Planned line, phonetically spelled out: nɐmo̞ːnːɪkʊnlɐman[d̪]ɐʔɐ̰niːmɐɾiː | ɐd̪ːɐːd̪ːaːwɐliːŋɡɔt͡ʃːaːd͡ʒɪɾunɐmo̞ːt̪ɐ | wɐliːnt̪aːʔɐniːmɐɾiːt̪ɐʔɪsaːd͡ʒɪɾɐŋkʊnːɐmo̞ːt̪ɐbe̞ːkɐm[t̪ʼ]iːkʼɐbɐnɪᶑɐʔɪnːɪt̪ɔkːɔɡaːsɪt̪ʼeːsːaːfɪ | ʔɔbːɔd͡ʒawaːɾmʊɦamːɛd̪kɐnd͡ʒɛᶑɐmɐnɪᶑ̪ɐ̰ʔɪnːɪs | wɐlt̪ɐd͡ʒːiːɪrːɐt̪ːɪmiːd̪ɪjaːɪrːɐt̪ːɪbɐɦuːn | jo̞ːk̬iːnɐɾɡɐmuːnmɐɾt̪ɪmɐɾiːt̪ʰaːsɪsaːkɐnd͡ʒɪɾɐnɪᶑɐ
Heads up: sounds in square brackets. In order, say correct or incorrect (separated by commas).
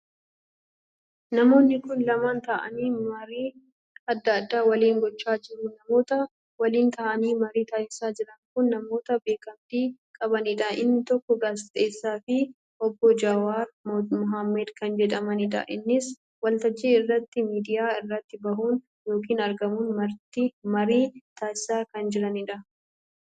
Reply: incorrect, incorrect